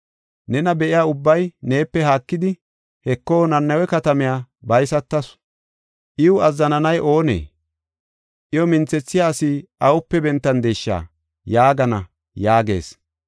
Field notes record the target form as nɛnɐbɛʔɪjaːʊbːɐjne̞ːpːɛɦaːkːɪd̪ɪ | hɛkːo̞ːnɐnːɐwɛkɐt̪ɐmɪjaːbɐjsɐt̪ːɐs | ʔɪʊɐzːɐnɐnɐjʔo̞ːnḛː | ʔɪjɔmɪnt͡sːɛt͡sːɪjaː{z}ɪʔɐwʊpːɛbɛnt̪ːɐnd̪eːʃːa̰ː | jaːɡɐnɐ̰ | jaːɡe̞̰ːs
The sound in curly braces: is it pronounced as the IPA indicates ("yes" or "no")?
no